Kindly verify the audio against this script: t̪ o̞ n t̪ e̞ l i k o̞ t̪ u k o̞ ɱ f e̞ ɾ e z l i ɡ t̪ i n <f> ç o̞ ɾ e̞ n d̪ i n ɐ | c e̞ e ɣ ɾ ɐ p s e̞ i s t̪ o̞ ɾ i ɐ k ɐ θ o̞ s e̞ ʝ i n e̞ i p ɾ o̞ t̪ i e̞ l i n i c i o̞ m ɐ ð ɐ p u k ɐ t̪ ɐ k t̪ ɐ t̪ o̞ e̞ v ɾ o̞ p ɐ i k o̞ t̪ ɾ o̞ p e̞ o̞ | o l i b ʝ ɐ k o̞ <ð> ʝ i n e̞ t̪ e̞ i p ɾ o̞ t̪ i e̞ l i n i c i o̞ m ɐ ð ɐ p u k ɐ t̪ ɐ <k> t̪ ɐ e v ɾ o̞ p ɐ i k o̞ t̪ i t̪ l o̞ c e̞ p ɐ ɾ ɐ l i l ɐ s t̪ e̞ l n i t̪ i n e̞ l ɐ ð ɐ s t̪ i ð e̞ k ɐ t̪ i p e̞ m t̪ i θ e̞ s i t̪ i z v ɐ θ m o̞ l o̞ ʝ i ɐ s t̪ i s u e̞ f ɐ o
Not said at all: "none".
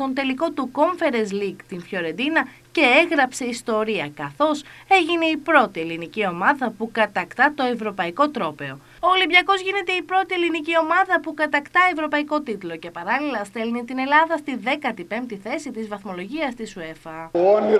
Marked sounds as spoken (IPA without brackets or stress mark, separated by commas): f, z, k